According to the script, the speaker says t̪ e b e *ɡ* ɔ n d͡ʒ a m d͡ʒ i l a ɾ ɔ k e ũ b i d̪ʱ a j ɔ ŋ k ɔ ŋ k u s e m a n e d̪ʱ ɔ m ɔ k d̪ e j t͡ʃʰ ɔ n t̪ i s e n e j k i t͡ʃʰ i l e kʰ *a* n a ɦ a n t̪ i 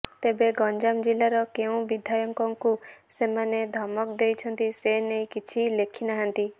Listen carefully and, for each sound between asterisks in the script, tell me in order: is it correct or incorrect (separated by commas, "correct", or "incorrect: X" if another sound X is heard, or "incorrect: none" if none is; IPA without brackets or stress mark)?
correct, incorrect: i